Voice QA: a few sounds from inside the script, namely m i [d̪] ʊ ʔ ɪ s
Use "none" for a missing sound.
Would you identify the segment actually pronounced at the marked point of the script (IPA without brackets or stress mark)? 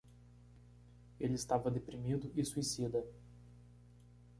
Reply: d̪